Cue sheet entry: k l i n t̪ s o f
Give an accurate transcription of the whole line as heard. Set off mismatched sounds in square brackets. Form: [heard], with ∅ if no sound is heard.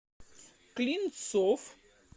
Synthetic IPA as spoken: k l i n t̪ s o f